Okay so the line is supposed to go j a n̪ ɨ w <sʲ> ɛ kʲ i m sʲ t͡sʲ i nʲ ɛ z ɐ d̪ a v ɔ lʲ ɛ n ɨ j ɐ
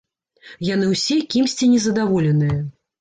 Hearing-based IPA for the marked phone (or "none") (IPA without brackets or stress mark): sʲ